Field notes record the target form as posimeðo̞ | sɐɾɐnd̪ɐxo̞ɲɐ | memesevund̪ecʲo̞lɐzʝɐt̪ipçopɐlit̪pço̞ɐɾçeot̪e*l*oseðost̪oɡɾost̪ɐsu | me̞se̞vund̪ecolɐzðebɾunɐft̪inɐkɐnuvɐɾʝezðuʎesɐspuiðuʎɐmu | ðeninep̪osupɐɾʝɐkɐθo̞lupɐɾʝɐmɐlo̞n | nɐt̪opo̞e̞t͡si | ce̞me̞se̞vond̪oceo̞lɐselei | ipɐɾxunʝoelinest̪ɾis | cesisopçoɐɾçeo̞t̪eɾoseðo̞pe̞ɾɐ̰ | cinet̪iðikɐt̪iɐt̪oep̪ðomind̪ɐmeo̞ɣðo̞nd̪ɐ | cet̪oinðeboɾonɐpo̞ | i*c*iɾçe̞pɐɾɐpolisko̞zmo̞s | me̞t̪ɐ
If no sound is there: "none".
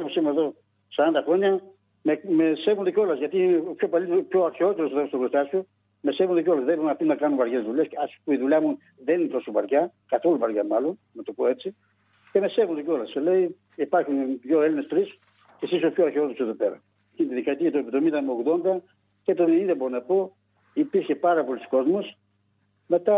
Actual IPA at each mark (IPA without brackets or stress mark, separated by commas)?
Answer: ɾ, p